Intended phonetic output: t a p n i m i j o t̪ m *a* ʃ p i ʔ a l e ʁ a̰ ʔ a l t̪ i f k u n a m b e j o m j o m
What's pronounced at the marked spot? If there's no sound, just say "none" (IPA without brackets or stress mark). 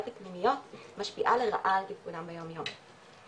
a